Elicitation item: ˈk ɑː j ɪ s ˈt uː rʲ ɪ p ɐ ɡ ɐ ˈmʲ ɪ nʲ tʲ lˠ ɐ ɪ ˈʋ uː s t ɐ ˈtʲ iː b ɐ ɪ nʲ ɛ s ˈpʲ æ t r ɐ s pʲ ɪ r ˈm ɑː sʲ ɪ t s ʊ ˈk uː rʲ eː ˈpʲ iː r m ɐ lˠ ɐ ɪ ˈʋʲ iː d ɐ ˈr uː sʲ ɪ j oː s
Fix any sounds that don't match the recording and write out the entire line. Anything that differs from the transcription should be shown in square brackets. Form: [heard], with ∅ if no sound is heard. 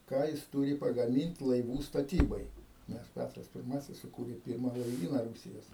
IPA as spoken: ˈk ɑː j ɪ s ˈt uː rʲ ɪ p ɐ ɡ ɐ ˈmʲ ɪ nʲ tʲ lˠ ɐ ɪ ˈʋ uː s t ɐ ˈtʲ iː b ɐ ɪ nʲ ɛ s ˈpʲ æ t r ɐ s pʲ ɪ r ˈm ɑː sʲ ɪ [s] s ʊ ˈk uː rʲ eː ˈpʲ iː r m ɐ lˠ ɐ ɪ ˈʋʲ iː [n] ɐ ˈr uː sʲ ɪ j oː s